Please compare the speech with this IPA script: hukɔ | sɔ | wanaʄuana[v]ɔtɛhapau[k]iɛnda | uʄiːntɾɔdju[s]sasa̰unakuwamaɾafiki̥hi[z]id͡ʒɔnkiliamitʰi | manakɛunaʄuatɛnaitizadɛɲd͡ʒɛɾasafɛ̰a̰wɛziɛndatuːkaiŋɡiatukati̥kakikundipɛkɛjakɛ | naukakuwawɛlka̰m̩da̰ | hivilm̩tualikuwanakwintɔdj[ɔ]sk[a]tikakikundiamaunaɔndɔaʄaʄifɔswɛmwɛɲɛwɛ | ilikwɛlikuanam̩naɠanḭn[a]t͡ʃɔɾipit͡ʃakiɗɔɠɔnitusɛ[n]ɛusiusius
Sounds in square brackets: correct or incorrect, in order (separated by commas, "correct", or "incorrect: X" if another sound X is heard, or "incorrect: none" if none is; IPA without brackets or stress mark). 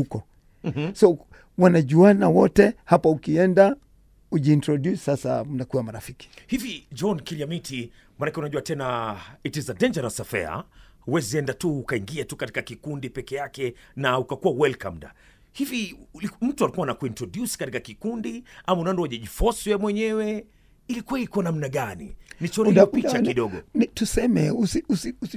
incorrect: w, correct, correct, incorrect: v, incorrect: u, correct, incorrect: i, incorrect: m